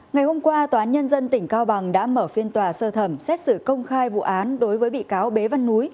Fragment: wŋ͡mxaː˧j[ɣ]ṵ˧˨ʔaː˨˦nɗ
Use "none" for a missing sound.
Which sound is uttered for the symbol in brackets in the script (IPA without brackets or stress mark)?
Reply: v